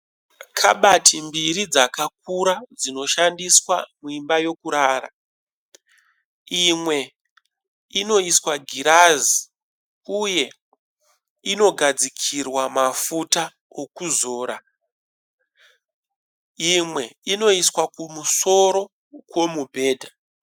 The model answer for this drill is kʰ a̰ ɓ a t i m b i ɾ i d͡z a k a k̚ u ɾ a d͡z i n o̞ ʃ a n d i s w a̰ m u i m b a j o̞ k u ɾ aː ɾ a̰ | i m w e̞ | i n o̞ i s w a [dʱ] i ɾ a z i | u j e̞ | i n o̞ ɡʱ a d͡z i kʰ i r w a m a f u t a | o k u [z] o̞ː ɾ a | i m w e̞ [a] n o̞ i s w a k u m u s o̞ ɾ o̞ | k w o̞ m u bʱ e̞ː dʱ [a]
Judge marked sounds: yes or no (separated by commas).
no, yes, no, yes